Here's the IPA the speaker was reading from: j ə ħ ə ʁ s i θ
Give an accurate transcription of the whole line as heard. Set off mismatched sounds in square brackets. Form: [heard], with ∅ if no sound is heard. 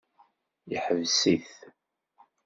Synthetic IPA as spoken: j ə ħ ə [v] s i θ